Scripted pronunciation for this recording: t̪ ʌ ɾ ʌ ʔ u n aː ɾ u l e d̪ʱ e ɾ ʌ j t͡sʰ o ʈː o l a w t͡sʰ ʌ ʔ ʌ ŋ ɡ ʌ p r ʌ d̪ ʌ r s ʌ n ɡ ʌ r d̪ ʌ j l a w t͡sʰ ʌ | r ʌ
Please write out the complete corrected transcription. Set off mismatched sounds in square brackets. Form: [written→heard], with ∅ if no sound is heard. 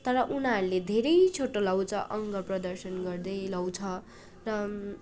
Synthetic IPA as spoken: t̪ ʌ ɾ ʌ ʔ u n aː ɾ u l e d̪ʱ e ɾ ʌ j t͡sʰ o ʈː o l a w t͡sʰ ʌ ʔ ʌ ŋ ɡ ʌ p r ʌ d̪ ʌ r s ʌ n ɡ ʌ r d̪ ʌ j l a w t͡sʰ ʌ | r ʌ